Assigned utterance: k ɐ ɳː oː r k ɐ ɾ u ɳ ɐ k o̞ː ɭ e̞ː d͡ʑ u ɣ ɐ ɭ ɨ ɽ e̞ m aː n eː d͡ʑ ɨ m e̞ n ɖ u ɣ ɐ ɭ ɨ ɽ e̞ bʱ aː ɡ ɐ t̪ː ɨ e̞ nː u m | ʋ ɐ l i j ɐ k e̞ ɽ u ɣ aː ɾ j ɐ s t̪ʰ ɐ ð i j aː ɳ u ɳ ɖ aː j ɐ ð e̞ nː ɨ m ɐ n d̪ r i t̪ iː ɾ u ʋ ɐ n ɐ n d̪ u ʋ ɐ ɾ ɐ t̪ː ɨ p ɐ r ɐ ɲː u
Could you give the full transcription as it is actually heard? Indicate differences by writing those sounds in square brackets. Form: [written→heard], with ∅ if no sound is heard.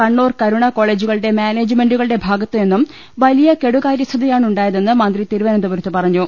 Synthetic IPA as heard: k ɐ ɳː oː r k ɐ ɾ u ɳ ɐ k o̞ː ɭ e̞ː d͡ʑ u ɣ ɐ ɭ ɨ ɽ e̞ m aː n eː d͡ʑ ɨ m e̞ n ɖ u ɣ ɐ ɭ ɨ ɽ e̞ bʱ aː ɡ ɐ t̪ː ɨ e̞ nː u m | ʋ ɐ l i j ɐ k e̞ ɽ u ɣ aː ɾ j ɐ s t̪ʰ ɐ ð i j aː ɳ u ɳ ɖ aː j ɐ ð e̞ nː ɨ m ɐ n d̪ r i t̪ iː ɾ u ʋ ɐ n ɐ n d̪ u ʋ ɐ ɾ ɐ t̪ː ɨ p ɐ r ɐ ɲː u